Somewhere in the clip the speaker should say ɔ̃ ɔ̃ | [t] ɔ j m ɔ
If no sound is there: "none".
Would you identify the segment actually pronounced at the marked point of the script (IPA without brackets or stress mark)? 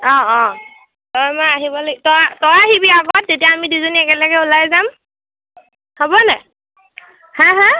t